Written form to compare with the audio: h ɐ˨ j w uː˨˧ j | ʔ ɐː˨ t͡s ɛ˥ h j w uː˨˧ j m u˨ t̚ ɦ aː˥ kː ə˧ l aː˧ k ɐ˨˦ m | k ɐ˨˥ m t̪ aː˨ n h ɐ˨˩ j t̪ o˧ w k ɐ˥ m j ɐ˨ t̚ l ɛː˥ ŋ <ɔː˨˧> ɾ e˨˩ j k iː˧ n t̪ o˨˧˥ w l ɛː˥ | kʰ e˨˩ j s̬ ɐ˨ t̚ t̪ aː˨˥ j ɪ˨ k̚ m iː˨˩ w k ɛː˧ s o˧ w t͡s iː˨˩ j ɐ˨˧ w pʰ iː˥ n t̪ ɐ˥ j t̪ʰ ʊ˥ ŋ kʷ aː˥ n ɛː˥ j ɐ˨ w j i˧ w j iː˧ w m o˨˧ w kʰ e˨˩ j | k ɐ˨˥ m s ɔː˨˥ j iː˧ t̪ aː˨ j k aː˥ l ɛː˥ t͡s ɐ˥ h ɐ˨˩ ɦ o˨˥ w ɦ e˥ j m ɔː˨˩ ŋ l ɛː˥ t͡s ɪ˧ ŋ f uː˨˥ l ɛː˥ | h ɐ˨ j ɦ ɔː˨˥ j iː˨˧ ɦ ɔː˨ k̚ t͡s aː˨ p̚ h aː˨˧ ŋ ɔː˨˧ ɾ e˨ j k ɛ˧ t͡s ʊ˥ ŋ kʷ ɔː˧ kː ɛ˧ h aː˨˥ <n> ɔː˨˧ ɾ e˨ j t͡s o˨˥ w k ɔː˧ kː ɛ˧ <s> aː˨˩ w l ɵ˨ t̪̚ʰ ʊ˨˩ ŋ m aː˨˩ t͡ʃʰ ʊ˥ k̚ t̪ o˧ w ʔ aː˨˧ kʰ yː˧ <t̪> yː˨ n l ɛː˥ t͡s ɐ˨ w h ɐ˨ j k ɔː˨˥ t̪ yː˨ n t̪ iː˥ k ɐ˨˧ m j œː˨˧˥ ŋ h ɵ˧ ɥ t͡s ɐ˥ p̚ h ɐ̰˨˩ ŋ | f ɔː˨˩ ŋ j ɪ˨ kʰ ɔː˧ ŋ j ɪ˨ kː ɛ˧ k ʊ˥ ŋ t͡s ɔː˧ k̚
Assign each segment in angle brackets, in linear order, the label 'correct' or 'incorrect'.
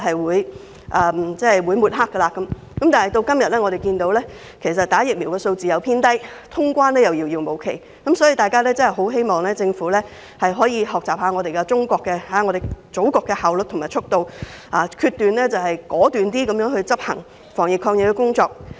incorrect, incorrect, incorrect, correct

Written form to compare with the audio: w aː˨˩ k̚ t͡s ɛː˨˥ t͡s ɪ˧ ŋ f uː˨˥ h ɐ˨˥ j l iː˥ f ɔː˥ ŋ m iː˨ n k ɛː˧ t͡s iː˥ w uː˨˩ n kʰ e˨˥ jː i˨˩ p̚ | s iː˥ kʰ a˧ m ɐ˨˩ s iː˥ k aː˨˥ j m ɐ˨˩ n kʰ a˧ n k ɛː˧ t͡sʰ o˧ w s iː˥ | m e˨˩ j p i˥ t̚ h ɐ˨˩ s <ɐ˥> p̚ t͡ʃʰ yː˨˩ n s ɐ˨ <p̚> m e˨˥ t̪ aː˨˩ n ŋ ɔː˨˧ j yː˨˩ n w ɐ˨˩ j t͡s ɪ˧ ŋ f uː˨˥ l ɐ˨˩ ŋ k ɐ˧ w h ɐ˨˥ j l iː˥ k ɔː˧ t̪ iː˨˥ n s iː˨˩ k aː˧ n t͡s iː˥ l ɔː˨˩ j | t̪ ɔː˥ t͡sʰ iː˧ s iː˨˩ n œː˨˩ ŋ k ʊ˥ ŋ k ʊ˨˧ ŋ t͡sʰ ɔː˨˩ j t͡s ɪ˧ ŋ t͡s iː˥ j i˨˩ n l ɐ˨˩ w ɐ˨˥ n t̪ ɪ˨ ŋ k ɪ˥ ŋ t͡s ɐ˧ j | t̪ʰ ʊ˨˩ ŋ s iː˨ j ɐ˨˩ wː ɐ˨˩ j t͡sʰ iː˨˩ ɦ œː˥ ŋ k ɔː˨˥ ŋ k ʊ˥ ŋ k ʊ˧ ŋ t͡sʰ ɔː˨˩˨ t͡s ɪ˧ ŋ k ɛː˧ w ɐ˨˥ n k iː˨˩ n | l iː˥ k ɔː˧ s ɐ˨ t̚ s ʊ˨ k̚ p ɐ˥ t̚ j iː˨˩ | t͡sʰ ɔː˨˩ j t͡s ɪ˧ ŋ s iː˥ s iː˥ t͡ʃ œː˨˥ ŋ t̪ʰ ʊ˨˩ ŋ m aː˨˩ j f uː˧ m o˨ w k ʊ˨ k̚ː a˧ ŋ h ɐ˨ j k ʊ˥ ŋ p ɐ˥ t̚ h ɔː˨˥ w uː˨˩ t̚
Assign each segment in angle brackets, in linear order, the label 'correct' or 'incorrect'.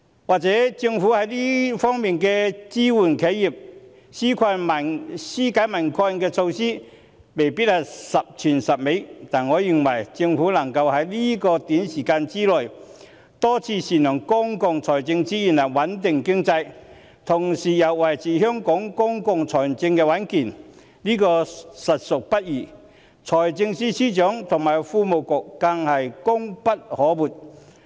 incorrect, correct

